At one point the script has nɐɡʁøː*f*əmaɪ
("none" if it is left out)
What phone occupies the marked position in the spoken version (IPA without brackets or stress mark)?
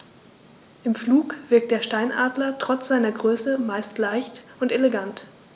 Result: s